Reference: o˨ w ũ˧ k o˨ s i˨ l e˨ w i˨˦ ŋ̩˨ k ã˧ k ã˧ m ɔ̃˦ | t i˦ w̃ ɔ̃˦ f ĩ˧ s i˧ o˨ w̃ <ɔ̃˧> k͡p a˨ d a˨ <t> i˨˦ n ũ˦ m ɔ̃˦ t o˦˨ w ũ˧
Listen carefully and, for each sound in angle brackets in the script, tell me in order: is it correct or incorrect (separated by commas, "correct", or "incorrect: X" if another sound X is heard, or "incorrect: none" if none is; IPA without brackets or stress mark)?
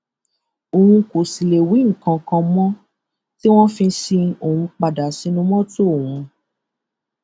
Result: incorrect: ũ˧, incorrect: s